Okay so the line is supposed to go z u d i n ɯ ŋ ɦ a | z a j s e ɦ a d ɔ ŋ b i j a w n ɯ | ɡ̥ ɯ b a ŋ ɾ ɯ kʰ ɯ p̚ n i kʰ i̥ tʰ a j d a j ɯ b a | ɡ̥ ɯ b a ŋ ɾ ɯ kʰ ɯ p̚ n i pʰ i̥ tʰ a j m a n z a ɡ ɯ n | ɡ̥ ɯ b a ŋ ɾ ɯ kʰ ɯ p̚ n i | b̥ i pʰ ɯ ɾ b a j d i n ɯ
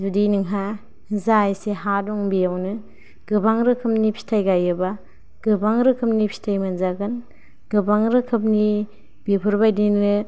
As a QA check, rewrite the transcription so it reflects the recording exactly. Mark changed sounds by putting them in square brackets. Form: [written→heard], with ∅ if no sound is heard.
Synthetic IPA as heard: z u d i n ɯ ŋ ɦ a | z a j s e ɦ a d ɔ ŋ b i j a w n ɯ | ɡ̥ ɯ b a ŋ ɾ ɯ kʰ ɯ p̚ n i [kʰ→pʰ] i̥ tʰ a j [d→ɡ] a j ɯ b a | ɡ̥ ɯ b a ŋ ɾ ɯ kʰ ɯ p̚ n i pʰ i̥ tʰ a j m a n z a ɡ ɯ n | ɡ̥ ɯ b a ŋ ɾ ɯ kʰ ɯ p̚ n i | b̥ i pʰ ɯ ɾ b a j d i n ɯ